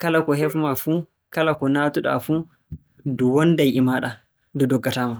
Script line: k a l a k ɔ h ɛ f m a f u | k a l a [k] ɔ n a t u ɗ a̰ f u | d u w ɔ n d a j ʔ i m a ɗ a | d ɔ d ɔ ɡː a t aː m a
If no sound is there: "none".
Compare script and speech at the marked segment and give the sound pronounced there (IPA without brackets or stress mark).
k